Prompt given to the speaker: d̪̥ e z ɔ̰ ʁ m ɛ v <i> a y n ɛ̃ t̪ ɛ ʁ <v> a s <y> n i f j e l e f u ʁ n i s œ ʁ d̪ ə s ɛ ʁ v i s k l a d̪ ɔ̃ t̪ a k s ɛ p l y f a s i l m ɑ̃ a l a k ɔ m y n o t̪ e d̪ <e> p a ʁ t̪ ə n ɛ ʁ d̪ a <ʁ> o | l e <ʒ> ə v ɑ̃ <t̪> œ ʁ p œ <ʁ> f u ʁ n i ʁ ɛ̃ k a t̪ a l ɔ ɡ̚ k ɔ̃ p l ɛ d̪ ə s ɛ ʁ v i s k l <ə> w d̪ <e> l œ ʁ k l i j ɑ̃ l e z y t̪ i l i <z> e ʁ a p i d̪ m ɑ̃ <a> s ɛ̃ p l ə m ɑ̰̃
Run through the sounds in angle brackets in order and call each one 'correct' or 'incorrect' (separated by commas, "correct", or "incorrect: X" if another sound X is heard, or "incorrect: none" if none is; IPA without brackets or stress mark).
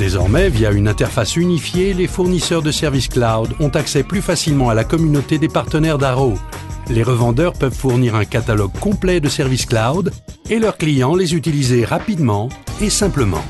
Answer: incorrect: j, incorrect: f, correct, correct, correct, incorrect: ʁ, incorrect: d̪, incorrect: v, incorrect: a, correct, correct, incorrect: e